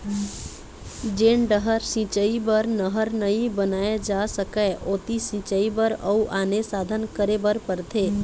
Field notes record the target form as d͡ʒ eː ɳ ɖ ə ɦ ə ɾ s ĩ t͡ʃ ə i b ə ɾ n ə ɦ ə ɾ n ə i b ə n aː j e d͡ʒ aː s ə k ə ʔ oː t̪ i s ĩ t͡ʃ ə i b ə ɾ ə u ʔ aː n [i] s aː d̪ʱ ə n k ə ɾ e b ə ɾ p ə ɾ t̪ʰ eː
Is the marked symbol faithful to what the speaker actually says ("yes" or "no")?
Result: no